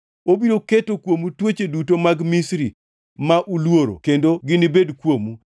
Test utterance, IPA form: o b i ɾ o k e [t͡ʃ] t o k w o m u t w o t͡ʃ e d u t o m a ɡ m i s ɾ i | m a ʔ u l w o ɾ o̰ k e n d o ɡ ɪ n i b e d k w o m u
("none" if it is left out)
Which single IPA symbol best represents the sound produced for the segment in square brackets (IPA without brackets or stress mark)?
none